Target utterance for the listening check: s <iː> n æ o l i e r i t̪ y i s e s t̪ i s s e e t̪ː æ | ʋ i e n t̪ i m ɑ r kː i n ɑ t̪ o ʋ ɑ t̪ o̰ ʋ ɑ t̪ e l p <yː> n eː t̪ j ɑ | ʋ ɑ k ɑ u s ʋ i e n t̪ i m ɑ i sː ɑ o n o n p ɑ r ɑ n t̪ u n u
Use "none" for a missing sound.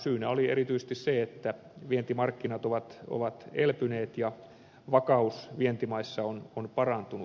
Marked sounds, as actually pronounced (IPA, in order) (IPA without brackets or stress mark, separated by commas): yː, y